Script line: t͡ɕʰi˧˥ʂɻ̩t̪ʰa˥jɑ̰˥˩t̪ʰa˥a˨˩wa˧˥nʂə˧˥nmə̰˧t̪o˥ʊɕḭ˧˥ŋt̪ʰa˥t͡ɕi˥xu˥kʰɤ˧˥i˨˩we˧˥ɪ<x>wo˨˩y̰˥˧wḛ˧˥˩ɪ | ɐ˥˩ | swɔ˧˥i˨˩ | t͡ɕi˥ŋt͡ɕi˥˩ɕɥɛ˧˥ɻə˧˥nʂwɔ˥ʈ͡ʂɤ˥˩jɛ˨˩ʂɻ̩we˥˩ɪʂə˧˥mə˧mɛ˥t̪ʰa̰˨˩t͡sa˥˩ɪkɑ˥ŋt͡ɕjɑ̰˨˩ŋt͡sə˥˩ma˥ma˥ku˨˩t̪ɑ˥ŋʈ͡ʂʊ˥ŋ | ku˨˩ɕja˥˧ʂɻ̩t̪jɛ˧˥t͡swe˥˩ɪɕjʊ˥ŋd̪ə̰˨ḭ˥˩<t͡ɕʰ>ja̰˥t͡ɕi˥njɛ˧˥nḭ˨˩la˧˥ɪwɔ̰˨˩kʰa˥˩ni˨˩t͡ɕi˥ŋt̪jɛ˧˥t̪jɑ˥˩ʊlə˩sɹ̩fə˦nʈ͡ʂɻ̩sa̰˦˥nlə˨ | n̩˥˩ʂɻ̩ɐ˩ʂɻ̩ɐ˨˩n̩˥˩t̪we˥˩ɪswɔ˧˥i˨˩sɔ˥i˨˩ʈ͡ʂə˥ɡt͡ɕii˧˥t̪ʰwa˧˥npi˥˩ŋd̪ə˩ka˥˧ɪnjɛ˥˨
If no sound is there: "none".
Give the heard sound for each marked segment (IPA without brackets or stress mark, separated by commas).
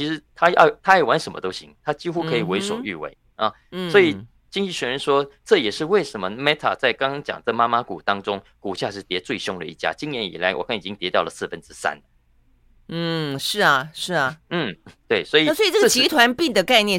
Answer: ʂ, t͡ɕ